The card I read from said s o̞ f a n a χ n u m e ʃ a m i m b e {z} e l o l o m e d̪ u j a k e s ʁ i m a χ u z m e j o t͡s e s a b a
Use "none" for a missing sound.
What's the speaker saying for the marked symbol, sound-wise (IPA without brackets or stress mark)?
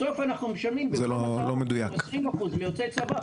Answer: z